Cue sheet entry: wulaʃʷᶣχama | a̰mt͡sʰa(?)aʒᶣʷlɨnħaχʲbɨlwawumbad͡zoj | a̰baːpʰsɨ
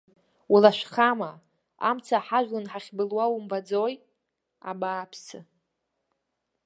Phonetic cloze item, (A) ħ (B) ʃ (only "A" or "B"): A